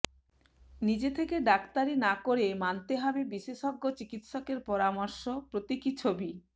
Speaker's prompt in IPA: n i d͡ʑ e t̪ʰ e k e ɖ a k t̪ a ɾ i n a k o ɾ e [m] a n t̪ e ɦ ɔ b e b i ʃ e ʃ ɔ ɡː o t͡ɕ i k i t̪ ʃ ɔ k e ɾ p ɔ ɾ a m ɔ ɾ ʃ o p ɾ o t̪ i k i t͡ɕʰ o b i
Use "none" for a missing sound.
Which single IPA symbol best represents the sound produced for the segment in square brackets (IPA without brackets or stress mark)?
m